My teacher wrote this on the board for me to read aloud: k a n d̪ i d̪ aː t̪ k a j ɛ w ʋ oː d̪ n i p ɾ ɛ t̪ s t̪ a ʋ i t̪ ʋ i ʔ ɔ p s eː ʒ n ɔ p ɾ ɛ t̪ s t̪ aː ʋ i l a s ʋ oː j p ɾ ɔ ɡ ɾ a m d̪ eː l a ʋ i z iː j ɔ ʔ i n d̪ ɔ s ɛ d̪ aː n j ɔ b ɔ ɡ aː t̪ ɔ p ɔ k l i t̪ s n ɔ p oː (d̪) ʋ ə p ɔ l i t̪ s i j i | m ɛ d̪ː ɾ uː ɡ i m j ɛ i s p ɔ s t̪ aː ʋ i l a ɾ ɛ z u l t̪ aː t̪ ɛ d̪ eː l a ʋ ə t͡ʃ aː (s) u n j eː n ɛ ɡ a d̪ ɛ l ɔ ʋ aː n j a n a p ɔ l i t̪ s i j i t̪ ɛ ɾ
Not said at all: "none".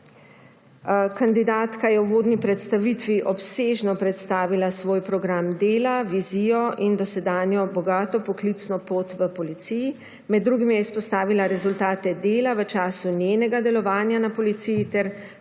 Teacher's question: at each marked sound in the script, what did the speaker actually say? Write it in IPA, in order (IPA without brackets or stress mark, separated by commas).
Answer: t̪, s